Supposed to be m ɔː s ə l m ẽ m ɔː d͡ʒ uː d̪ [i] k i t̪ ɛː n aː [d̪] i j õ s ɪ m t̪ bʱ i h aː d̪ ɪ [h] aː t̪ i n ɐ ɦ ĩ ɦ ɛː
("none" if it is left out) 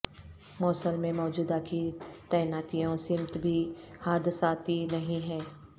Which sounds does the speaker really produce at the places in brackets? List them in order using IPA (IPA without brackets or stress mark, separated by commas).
a, t̪, s